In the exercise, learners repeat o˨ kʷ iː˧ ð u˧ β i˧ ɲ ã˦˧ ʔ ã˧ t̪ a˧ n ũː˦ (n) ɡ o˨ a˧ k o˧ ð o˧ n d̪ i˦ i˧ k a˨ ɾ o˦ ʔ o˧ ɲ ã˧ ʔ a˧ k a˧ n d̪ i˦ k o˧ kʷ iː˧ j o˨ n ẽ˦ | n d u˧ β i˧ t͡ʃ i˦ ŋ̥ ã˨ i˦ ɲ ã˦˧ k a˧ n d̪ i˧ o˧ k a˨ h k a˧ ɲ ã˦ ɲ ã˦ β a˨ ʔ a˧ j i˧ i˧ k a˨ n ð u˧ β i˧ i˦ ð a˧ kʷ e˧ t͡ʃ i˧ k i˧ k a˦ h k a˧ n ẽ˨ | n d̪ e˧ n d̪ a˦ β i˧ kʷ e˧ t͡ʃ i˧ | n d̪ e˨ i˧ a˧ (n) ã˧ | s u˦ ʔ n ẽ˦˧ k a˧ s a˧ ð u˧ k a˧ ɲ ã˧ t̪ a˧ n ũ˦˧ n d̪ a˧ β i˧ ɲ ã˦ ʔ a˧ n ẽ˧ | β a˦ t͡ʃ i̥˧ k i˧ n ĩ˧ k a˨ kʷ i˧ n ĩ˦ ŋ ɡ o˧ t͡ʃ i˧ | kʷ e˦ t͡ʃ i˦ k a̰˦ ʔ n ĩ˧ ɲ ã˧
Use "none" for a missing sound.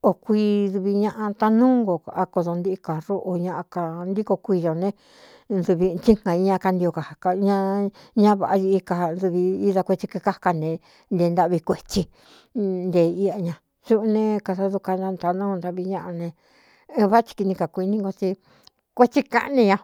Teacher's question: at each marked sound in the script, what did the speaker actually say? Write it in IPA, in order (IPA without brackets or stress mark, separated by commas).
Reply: ŋ, ɲ